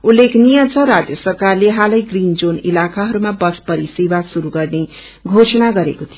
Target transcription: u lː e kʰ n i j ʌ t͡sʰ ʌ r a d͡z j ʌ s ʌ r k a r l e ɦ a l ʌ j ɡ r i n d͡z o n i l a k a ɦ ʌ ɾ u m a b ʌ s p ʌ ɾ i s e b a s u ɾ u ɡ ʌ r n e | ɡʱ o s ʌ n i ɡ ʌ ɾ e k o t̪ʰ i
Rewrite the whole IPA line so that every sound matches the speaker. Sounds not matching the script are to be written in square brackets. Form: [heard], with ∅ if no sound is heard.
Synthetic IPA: u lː e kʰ n i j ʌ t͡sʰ ʌ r a d͡z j ʌ s ʌ r k a r l e ɦ a l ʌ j ɡ r i n d͡z o n i l a k a ɦ ʌ ɾ u m a b ʌ s p ʌ ɾ i s e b a s u ɾ u ɡ ʌ r n e | ɡʱ o s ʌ n [a] ɡ ʌ ɾ e k o t̪ʰ i